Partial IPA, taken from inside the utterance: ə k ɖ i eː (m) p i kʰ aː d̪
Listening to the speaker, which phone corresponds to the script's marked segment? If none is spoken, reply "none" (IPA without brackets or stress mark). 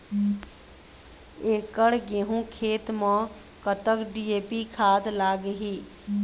none